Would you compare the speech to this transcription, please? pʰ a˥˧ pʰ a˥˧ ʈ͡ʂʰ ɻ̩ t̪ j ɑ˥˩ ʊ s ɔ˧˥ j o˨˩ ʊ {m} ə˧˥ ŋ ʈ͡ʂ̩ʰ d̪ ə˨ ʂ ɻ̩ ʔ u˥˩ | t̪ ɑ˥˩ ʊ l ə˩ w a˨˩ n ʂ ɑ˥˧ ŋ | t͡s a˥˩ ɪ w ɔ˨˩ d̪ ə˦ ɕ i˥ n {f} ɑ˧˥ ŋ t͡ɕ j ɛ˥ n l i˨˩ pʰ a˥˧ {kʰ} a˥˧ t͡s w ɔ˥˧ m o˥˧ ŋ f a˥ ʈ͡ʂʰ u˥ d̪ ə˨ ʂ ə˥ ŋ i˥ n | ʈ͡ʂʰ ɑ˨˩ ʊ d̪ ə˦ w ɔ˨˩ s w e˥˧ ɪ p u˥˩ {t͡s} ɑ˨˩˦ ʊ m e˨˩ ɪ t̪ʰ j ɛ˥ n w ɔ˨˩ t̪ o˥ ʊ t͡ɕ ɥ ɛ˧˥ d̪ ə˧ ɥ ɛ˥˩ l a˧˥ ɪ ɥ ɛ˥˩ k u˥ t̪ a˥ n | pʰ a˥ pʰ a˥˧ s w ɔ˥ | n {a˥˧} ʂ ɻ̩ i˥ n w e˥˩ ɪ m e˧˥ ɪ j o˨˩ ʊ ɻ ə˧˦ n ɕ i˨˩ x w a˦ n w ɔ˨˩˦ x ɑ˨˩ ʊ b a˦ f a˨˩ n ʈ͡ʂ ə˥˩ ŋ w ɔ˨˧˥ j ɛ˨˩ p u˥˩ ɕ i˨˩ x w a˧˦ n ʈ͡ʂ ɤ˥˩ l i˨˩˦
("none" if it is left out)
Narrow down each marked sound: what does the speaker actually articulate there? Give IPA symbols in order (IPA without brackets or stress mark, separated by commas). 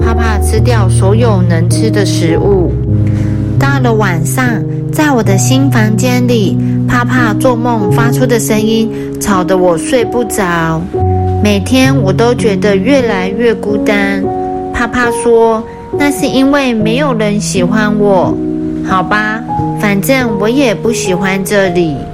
n, f, pʰ, t͡s, a˥˧